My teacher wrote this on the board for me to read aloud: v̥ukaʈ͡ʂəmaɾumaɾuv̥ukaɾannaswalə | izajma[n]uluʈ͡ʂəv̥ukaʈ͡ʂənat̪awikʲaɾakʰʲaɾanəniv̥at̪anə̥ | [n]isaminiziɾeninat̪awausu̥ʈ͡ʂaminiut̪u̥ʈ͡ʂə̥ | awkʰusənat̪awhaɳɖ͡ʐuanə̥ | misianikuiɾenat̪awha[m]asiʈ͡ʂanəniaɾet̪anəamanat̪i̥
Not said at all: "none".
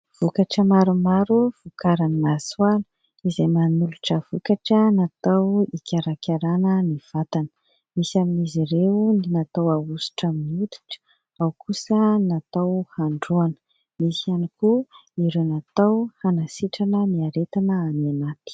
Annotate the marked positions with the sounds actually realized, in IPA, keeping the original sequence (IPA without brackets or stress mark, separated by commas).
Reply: n, m, n